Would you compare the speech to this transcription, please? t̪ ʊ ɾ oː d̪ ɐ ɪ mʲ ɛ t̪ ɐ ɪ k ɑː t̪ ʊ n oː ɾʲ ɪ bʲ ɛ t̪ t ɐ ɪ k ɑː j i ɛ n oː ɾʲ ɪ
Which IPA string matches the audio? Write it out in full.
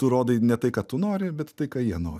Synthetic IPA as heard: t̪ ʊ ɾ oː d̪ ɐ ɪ nʲ ɛ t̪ ɐ ɪ k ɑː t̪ ʊ n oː ɾʲ ɪ bʲ ɛ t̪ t ɐ ɪ k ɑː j i ɛ n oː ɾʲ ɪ